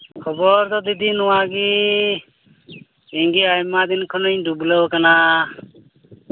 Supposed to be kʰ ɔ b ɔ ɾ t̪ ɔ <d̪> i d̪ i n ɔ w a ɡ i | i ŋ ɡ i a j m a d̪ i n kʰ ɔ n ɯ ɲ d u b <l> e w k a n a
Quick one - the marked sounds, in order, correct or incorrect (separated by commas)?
correct, correct